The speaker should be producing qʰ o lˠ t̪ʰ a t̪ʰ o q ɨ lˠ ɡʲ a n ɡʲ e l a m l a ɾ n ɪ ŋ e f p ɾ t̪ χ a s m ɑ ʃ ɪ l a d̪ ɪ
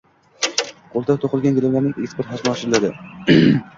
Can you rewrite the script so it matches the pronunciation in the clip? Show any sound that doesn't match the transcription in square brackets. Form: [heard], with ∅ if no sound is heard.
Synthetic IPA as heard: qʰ o lˠ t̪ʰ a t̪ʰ o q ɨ lˠ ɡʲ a n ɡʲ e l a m l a ɾ n ɪ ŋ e [s] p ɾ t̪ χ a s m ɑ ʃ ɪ l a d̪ ɪ